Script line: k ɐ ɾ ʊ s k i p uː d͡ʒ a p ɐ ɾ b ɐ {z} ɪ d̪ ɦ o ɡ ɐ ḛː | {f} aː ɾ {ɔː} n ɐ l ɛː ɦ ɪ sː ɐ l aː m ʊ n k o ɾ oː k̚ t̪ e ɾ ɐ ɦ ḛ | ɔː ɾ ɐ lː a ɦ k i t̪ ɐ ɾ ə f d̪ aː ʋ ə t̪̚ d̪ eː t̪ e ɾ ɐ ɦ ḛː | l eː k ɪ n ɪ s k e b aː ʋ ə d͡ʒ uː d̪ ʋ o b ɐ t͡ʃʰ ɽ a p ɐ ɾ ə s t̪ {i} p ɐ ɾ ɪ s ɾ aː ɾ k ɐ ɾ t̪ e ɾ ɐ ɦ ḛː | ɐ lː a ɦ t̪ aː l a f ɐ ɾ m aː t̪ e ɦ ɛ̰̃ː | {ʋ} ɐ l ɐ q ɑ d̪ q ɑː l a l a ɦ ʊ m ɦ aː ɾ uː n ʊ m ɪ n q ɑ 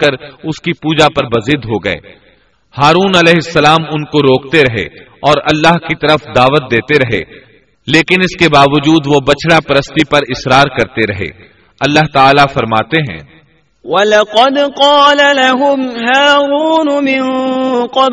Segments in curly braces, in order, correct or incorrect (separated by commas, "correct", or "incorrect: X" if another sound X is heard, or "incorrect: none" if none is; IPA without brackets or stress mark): correct, incorrect: h, incorrect: uː, correct, incorrect: w